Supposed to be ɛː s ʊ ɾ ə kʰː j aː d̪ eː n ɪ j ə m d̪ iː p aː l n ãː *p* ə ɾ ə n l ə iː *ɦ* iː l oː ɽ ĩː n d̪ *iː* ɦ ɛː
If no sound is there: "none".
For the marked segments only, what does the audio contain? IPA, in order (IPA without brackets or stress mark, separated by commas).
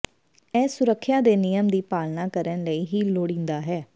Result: k, ɦ, aː